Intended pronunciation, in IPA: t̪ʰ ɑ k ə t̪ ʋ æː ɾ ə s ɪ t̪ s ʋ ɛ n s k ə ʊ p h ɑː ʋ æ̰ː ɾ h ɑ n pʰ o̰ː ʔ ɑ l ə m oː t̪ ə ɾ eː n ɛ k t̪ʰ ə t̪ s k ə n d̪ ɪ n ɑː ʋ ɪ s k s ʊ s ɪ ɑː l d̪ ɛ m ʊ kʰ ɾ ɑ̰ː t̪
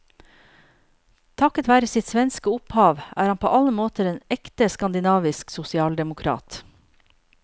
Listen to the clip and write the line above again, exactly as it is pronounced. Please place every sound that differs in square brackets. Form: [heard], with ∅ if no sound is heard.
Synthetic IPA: t̪ʰ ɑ k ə t̪ ʋ æː ɾ ə s ɪ t̪ s ʋ ɛ n s k ə ʊ p h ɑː ʋ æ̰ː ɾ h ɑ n pʰ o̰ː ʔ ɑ l ə m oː t̪ ə ɾ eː n ɛ k [t̪] ə [∅] s k [ɑ] n d̪ ɪ n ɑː ʋ ɪ s k s ʊ s ɪ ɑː l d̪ ɛ m ʊ kʰ ɾ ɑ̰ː t̪